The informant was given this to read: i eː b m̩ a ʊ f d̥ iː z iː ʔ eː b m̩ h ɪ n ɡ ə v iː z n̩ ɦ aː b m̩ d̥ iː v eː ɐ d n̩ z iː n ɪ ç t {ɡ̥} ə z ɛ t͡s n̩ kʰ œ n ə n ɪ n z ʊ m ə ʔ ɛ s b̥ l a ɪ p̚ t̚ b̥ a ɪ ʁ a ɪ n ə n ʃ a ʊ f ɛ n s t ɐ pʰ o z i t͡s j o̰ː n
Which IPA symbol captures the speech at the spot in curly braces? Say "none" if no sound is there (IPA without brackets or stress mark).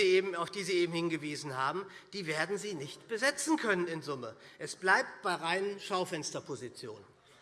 b̥